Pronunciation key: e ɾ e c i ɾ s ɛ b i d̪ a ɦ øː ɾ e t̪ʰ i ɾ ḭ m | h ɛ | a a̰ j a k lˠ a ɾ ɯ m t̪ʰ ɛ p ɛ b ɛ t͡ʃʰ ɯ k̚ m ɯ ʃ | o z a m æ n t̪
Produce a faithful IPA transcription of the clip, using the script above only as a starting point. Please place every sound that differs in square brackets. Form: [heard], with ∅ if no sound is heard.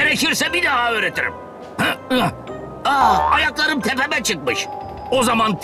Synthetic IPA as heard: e ɾ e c i ɾ s ɛ b i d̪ a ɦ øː ɾ e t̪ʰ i ɾ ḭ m | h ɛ | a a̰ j a k lˠ a ɾ ɯ m t̪ʰ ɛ p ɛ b ɛ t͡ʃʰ ɯ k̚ m ɯ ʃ | o z a m [a] n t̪